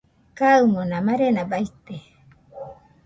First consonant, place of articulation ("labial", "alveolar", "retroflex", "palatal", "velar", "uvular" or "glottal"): velar